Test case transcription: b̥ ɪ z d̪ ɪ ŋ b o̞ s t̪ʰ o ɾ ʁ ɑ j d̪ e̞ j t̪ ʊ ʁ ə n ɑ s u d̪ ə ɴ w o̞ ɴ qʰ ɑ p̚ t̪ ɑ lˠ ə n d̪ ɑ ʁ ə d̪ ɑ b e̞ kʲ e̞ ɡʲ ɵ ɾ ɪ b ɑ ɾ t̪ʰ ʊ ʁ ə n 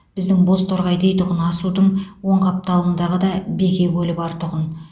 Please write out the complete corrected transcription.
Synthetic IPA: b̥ ɪ z d̪ ɪ ŋ b o̞ s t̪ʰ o ɾ ʁ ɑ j d̪ e̞ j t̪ ʊ ʁ ə n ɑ s u d̪ ə ɴ w o̞ ɴ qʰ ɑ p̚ t̪ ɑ lˠ ə n d̪ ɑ ʁ ə d̪ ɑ b e̞ kʲ e̞ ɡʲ ɵ l ɪ b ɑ ɾ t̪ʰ ʊ ʁ ə n

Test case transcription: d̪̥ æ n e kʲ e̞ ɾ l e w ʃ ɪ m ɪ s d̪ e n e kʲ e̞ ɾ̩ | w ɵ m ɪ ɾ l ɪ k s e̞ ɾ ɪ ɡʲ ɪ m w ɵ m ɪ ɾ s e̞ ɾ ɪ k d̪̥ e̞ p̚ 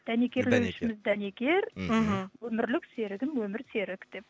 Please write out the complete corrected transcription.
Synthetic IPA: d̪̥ æ n e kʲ e̞ ɾ l e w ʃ ɪ m ɪ z d̪ æ n e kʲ e̞ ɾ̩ | w ɵ m ɪ ɾ l ɪ k s e̞ ɾ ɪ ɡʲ ɪ m w ɵ m ɪ ɾ s e̞ ɾ ɪ k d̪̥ e̞ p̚

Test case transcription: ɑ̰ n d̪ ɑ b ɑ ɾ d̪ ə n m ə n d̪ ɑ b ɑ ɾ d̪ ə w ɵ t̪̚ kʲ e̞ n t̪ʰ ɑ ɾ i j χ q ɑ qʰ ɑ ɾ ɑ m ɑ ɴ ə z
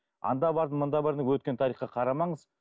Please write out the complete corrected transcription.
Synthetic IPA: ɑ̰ n d̪ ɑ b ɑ ɾ d̪ ə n m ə n d̪ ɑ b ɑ ɾ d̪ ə w ɵ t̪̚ kʲ e̞ n t̪ʰ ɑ ɾ i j χ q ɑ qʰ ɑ ɾ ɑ m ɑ ɴ ə z

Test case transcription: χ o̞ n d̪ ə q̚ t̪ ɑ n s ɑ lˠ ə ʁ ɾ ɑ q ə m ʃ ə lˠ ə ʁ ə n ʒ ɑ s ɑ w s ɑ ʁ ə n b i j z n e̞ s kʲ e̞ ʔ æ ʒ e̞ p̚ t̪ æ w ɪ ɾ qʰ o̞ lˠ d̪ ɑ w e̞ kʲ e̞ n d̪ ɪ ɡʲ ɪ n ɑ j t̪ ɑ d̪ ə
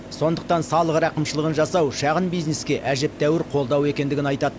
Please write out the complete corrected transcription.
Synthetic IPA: s o̞ n d̪ ə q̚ t̪ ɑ n s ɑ lˠ ə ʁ ɾ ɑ q ə m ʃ ə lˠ ə ʁ ə n ʒ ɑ s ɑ w ʃ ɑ ʁ ə n b i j z n e̞ s kʲ e̞ ʔ æ ʒ e̞ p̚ t̪ æ w ɪ ɾ qʰ o̞ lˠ d̪ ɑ w e̞ kʲ e̞ n d̪ ɪ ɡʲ ɪ n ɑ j t̪ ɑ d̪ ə

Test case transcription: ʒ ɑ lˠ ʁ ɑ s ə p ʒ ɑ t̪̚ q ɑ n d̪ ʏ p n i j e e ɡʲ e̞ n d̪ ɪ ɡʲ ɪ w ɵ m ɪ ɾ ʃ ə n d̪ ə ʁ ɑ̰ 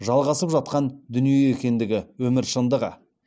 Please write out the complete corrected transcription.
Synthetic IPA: ʒ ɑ lˠ ʁ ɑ s ə p ʒ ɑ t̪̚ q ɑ n d̪ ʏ n i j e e kʲ e̞ n d̪ ɪ ɡʲ ɪ w ɵ m ɪ ɾ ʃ ə n d̪ ə ʁ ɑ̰

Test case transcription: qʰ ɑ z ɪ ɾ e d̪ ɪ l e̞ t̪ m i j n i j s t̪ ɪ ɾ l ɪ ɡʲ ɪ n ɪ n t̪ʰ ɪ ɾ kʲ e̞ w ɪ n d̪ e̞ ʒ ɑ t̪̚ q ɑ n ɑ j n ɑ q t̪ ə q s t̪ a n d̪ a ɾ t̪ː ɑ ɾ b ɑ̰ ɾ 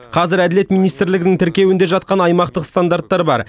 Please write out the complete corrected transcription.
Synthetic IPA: qʰ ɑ z ɪ ɾ æ d̪ ɪ l e̞ t̪ m i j n i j s t̪ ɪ ɾ l ɪ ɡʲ ɪ n ɪ ŋ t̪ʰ ɪ ɾ kʲ e̞ w ɪ n d̪ e̞ ʒ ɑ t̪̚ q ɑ n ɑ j m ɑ q t̪ ə q s t̪ a n d̪ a ɾ t̪ː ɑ ɾ b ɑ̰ ɾ

